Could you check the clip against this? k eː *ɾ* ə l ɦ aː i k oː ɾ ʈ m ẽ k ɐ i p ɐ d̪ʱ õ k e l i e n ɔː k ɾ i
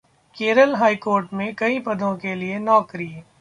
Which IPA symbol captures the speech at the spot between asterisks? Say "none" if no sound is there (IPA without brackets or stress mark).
ɾ